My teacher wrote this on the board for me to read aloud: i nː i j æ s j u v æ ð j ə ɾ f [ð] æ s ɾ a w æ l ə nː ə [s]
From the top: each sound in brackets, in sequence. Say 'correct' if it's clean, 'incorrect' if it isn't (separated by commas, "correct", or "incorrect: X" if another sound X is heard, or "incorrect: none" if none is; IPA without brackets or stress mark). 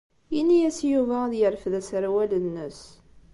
correct, correct